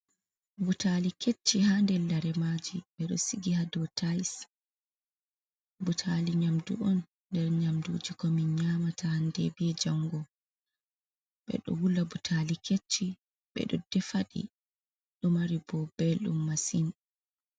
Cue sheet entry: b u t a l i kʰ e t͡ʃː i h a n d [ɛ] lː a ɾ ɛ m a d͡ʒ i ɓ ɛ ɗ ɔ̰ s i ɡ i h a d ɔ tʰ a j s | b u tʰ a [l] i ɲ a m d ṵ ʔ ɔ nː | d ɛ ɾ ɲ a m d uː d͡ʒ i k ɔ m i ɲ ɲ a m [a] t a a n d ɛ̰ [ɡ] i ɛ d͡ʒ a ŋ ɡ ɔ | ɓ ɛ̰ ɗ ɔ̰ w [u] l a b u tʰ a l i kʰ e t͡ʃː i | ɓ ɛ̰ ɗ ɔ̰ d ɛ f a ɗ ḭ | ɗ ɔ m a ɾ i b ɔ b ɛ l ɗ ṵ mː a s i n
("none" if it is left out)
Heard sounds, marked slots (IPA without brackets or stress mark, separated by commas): ɛ, l, a, b, u